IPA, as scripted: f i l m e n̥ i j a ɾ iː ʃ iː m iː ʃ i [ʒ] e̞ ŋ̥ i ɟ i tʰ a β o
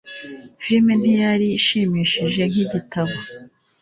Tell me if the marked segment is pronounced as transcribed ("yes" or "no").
yes